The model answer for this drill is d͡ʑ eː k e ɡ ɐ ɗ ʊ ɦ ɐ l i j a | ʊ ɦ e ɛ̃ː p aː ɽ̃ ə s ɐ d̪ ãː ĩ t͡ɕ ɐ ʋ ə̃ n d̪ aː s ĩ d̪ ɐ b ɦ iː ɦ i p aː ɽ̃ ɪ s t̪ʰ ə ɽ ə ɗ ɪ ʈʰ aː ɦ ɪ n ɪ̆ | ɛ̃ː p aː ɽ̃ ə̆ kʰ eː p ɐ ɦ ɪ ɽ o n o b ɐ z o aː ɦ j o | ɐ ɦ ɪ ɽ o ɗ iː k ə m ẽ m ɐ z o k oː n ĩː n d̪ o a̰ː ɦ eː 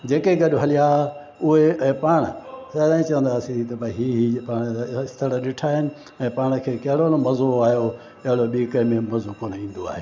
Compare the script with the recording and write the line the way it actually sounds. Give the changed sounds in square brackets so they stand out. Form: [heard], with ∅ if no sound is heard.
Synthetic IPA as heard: d͡ʑ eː k e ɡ ɐ ɗ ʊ ɦ ɐ l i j a | ʊ ɦ e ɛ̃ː p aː ɽ̃ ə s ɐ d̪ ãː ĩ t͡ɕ ɐ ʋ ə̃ n d̪ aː s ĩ [t̪] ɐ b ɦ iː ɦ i p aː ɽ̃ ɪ s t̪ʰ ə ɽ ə ɗ ɪ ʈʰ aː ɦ ɪ n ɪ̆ | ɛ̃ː p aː ɽ̃ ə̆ kʰ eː [k] ɐ ɦ ɪ ɽ o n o [m] ɐ z o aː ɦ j o | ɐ ɦ ɪ ɽ o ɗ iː k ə m ẽ m ɐ z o k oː n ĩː n d̪ o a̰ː ɦ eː